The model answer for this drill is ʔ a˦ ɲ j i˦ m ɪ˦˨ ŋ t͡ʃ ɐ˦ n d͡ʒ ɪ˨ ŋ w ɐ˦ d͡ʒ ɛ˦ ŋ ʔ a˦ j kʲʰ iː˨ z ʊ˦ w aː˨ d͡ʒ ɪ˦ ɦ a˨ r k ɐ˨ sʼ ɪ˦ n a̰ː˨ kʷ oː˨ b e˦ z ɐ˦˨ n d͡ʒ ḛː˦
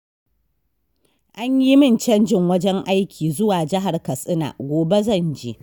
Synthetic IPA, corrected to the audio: ʔ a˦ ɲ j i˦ m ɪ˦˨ n t͡ʃ ɐ˦ n d͡ʒ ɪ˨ ŋ w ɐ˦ d͡ʒ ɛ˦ ŋ ʔ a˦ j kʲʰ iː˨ z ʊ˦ w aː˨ d͡ʒ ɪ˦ ɦ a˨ r k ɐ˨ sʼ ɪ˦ n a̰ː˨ ɡʷ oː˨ b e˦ z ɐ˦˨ n d͡ʒ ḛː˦